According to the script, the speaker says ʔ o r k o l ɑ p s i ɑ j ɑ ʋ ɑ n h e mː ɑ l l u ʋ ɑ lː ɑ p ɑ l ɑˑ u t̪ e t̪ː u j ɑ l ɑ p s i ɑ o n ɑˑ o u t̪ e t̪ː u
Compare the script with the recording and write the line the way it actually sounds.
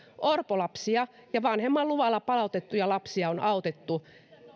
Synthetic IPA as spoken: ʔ o r p o l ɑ p s i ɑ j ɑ ʋ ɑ n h e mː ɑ l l u ʋ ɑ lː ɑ p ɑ l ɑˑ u t̪ e t̪ː u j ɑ l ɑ p s i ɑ o n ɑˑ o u t̪ e t̪ː u